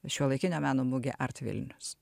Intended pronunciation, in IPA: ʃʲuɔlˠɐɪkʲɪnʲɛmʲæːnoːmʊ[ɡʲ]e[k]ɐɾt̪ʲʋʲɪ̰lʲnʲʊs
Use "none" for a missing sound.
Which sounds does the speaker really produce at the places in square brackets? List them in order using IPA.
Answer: ɡʲ, ʔ

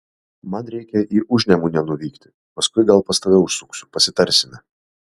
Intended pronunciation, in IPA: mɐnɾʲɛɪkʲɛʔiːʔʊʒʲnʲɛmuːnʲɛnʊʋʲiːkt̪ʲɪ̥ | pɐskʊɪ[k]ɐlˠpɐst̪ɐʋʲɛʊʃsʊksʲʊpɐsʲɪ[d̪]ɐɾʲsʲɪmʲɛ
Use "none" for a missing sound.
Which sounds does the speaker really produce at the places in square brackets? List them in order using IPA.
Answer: ɡ, t̪

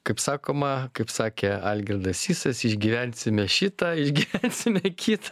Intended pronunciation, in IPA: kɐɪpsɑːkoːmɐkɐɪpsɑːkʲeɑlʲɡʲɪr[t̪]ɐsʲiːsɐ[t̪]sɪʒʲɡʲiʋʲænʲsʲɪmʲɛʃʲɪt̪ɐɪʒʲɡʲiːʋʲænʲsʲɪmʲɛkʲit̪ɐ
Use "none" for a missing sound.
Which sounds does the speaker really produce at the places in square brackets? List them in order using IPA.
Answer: d̪, none

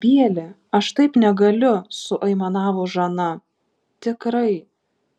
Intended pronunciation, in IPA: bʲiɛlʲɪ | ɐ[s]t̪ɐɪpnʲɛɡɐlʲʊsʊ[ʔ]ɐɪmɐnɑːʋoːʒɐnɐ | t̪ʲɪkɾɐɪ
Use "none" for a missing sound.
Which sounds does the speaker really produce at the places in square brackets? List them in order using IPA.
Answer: ʃ, ʔ

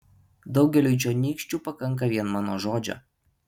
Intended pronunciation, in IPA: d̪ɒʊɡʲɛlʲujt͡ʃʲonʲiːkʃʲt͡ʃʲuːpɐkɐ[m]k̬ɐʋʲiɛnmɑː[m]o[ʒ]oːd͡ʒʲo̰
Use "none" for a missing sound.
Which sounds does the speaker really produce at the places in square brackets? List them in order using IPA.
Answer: ŋ, n, ʒ

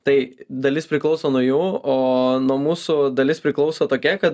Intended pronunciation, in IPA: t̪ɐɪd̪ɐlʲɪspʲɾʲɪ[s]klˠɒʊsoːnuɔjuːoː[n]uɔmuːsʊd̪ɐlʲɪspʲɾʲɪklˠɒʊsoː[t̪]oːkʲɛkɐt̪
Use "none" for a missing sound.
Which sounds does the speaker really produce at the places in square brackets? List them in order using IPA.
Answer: none, n, t̪

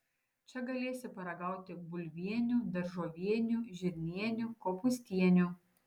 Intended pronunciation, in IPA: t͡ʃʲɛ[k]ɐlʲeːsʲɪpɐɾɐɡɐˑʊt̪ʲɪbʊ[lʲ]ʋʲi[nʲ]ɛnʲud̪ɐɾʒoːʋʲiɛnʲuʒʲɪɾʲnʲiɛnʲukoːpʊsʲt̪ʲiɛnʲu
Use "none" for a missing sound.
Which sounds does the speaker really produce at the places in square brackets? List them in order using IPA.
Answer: ɡ, lʲ, none

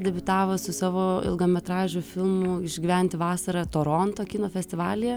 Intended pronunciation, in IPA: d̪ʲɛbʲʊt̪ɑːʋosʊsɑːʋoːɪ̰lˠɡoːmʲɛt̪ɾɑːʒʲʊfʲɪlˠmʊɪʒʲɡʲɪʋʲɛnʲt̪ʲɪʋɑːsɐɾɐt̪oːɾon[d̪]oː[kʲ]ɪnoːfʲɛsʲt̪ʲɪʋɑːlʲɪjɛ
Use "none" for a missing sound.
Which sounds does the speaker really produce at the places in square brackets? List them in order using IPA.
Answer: t̪, kʲ

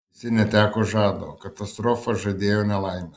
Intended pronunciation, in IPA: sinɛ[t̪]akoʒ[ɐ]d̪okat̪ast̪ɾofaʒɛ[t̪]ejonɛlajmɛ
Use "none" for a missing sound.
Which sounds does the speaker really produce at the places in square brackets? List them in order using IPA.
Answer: t̪, a, d̪

